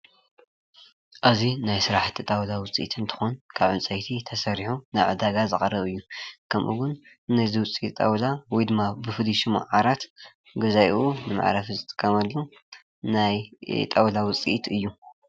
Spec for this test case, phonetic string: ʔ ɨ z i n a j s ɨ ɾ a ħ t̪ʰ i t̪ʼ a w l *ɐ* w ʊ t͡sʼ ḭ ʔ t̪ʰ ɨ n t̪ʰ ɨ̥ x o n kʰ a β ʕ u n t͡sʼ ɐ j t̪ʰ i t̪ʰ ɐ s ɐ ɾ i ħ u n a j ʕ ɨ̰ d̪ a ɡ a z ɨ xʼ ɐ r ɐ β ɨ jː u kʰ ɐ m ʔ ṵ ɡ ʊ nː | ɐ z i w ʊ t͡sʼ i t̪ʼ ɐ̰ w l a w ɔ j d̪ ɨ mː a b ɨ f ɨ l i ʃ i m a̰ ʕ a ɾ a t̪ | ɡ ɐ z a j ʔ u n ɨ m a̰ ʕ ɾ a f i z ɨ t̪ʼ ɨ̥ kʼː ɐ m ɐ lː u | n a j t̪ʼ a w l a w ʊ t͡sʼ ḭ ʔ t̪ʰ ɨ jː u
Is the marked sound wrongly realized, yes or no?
yes